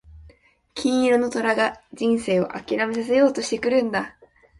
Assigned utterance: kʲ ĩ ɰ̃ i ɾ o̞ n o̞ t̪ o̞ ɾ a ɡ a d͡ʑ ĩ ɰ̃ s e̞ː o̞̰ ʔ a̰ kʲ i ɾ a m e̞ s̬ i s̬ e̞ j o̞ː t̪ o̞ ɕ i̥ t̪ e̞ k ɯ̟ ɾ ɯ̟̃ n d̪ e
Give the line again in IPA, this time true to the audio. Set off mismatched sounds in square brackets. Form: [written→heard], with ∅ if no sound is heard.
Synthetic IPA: kʲ ĩ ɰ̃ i ɾ o̞ n o̞ t̪ o̞ ɾ a ɡ a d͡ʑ ĩ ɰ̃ s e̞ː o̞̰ ʔ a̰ kʲ i ɾ a m e̞ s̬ [i→a] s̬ e̞ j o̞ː t̪ o̞ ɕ i̥ t̪ e̞ k ɯ̟ ɾ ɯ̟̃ n d̪ [e→a]